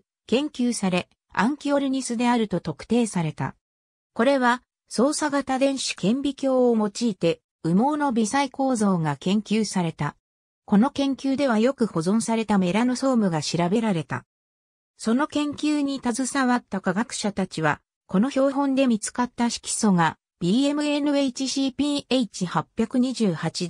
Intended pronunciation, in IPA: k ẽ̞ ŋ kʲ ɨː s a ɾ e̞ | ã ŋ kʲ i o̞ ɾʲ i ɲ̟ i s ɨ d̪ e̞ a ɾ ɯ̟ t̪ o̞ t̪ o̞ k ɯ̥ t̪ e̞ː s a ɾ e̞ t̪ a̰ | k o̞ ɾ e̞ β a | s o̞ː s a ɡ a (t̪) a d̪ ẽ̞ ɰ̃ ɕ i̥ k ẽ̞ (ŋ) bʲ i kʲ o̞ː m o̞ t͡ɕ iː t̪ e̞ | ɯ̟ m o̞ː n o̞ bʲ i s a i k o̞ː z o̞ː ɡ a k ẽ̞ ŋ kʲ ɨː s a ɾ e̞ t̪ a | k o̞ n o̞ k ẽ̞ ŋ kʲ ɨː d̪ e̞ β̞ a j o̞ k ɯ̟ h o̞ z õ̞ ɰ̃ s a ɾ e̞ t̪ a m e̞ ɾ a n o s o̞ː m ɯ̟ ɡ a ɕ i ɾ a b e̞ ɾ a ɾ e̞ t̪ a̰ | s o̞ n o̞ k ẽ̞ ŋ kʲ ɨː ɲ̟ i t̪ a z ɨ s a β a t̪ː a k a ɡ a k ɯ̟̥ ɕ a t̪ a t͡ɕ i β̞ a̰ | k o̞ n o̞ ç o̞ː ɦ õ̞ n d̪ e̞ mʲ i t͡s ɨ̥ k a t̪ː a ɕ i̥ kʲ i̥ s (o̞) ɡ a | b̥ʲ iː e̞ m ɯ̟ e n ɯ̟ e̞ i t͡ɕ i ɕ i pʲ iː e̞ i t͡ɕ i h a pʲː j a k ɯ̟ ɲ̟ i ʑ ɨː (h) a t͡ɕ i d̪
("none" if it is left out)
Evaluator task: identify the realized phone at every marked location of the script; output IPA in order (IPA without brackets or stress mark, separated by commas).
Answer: t̪, m, o̞, h